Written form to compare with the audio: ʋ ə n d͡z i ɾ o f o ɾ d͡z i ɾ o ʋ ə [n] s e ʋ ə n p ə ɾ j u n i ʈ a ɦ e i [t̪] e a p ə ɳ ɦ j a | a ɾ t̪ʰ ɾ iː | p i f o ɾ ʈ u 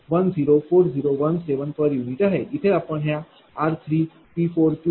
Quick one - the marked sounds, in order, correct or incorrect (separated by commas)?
correct, incorrect